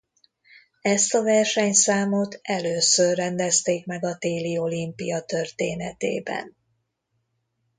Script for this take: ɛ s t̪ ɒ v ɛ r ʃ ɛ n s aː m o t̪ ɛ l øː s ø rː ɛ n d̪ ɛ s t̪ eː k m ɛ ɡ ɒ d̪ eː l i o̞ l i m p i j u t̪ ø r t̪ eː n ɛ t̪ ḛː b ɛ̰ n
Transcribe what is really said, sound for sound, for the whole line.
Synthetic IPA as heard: ɛ s t̪ ɒ v ɛ r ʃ ɛ ɲ s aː m o t̪ ɛ l øː s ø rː ɛ n d̪ ɛ s t̪ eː k m ɛ ɡ ɒ t̪ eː l i o̞ l i m p i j ɒ t̪ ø r t̪ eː n ɛ t̪ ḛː b ɛ̰ n